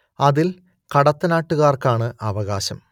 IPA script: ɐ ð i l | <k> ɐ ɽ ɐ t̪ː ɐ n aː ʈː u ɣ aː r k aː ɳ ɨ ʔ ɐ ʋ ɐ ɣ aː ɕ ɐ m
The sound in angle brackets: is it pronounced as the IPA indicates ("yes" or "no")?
yes